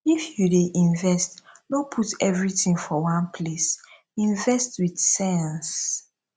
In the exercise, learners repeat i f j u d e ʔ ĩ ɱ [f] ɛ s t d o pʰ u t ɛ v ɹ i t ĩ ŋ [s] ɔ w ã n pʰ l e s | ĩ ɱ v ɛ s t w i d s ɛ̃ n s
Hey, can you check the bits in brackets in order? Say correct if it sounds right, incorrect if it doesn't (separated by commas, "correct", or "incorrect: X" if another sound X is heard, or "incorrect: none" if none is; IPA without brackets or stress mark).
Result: incorrect: v, incorrect: f